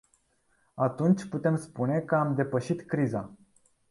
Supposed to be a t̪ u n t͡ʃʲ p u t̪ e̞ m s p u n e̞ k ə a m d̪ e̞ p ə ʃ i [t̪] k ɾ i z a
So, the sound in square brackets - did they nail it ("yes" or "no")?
yes